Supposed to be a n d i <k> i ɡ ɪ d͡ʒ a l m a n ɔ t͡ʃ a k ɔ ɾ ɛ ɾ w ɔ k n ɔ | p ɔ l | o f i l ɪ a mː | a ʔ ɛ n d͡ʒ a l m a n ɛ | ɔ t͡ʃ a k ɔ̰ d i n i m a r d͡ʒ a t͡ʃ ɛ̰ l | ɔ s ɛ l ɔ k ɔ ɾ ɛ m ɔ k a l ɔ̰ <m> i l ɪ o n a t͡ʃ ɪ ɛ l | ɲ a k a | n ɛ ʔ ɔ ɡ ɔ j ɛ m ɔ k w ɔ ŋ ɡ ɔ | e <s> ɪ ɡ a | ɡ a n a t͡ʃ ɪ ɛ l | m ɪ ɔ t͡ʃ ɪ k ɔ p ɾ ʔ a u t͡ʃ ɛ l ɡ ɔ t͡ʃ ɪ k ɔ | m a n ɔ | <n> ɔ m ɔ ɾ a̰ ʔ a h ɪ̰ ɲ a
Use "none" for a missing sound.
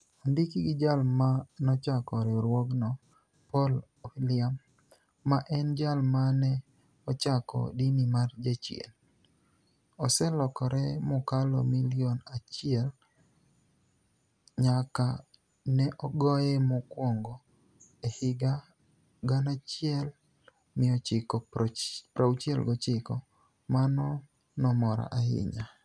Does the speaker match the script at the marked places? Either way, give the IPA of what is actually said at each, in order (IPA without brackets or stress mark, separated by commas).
k, m, h, n